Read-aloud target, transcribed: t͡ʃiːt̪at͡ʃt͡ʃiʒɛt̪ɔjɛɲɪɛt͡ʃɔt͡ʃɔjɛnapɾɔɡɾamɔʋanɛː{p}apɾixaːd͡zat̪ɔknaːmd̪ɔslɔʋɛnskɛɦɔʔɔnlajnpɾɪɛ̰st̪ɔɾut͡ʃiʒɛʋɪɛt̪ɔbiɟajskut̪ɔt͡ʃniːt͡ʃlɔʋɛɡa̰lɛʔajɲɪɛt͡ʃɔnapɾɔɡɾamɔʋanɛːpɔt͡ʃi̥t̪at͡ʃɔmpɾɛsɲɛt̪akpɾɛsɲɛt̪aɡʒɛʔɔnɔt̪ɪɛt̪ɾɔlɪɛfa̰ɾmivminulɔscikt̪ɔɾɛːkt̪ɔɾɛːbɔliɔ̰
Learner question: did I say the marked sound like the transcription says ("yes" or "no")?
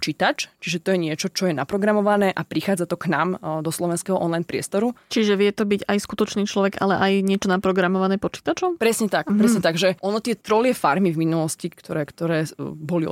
no